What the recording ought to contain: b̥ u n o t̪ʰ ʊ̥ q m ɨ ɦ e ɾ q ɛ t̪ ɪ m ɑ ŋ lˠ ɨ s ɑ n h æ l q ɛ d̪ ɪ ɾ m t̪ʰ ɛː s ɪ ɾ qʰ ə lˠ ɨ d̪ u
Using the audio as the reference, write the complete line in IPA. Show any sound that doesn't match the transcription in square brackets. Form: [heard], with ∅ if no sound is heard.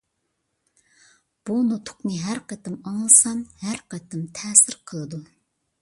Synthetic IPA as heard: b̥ u n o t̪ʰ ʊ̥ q [n] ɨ ɦ [æ] ɾ q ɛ t̪ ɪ m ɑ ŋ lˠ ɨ s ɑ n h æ [ɾ] q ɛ [t̪] ɪ [∅] m t̪ʰ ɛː s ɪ ɾ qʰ ə lˠ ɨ d̪ u